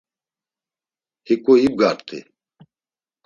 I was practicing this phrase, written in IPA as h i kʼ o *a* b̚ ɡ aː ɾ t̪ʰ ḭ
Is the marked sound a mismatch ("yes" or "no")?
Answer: yes